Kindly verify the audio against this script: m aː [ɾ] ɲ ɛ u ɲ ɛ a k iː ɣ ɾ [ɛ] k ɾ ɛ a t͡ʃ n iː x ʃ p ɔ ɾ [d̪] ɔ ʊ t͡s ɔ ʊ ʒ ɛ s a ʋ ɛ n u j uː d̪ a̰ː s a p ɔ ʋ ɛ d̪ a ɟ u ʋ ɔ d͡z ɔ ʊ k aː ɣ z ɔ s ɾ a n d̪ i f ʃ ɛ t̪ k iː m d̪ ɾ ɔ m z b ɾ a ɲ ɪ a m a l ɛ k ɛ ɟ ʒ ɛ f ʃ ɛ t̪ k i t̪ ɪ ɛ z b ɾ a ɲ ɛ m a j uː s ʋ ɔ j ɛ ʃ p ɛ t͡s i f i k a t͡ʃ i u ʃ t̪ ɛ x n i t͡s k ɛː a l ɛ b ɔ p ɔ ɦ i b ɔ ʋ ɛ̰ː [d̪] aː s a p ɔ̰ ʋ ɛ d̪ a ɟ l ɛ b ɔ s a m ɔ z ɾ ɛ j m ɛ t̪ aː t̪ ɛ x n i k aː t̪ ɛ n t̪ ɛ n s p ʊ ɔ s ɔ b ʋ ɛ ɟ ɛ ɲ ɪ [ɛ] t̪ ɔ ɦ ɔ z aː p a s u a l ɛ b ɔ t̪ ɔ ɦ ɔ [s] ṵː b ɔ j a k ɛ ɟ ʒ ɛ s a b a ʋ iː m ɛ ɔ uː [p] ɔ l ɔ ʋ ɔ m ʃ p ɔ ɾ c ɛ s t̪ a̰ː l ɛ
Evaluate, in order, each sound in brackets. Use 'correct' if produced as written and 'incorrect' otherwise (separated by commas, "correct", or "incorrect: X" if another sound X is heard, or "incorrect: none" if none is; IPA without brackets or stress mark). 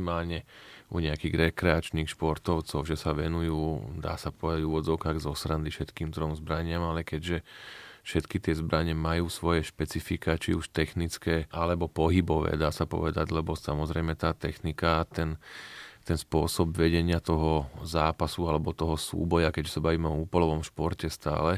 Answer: incorrect: l, correct, incorrect: t̪, correct, incorrect: a, correct, correct